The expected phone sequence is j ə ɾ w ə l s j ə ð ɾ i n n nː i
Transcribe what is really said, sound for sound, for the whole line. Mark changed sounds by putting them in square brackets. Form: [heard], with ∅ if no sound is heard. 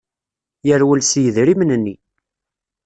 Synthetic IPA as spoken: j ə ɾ w ə l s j ə ð ɾ i [m] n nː i